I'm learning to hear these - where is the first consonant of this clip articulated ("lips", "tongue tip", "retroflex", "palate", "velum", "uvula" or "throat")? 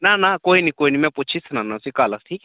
tongue tip